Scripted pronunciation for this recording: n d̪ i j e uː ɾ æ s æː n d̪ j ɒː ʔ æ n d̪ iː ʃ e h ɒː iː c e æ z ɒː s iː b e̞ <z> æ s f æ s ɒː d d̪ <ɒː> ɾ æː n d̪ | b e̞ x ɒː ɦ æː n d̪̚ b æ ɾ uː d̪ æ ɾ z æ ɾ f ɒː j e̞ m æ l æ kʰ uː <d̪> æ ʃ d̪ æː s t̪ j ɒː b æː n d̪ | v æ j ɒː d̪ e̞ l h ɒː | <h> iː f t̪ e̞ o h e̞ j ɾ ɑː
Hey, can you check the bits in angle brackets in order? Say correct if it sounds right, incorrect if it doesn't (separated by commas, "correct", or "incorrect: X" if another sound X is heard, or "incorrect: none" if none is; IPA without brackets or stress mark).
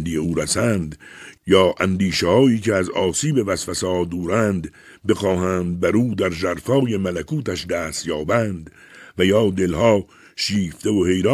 incorrect: v, incorrect: uː, incorrect: t̪, incorrect: ʃ